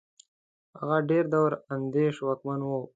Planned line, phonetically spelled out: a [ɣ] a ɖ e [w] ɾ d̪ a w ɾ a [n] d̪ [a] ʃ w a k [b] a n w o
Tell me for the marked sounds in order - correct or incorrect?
correct, incorrect: none, correct, incorrect: e, incorrect: m

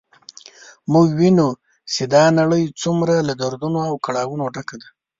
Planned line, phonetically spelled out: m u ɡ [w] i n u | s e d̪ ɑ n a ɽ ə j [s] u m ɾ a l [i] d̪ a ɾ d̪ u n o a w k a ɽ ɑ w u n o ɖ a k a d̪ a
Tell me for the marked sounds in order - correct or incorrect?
correct, incorrect: t͡s, incorrect: a

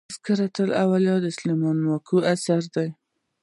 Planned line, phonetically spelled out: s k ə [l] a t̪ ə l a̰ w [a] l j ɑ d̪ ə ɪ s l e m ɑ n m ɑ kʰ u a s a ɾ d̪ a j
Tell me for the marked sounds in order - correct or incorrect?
incorrect: ɾ, correct

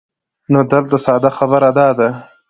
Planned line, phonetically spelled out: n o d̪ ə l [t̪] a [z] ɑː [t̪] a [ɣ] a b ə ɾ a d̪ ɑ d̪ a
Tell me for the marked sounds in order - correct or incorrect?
correct, incorrect: s, incorrect: d̪, incorrect: x

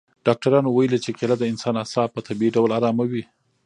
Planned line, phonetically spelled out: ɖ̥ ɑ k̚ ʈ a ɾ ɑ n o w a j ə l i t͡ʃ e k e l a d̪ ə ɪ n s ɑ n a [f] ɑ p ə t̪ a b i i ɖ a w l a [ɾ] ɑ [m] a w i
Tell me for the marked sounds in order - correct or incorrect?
incorrect: s, correct, correct

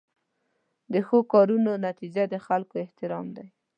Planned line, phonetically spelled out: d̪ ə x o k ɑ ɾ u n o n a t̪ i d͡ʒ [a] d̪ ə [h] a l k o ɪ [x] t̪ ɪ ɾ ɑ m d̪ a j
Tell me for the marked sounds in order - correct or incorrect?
correct, incorrect: x, incorrect: h

